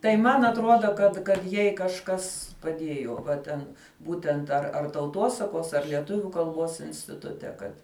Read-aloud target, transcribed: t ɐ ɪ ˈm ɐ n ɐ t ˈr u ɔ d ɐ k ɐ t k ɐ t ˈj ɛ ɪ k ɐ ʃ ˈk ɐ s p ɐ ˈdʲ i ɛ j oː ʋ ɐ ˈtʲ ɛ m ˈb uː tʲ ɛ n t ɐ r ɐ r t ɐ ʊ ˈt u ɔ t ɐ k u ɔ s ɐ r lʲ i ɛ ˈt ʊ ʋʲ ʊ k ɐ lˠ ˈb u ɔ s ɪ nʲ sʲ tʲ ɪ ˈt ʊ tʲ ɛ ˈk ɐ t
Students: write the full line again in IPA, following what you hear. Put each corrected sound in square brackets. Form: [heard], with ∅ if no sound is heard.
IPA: t ɐ ɪ ˈm ɐ n ɐ t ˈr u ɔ d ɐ k ɐ t k ɐ t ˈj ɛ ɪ k ɐ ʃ ˈk ɐ s p ɐ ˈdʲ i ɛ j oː ʋ ɐ ˈtʲ ɛ [n] ˈb uː tʲ ɛ n t ɐ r ɐ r t ɐ ʊ ˈt u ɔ [s] ɐ k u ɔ s ɐ r lʲ i ɛ ˈt ʊ ʋʲ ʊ k ɐ lˠ ˈb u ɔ s ɪ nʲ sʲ tʲ ɪ ˈt ʊ tʲ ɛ ˈk ɐ t